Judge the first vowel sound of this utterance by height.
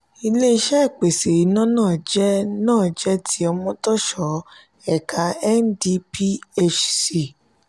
high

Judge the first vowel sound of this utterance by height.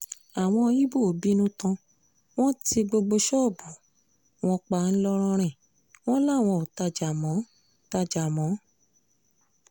low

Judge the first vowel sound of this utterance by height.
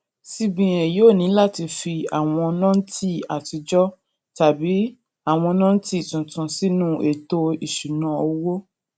high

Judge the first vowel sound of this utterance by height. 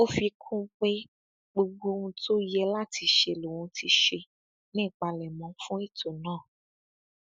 mid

